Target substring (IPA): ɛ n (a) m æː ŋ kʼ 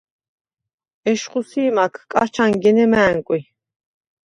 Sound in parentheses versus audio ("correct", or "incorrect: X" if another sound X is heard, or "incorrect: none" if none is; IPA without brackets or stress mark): incorrect: ɛ